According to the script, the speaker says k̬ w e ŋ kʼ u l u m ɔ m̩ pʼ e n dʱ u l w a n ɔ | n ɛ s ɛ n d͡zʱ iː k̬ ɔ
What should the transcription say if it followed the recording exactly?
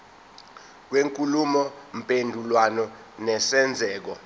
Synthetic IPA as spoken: k̬ w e ŋ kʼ u l u m ɔ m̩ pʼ e n dʱ u l w a n ɔ | n ɛ s ɛ n d͡zʱ ɛː k̬ ɔ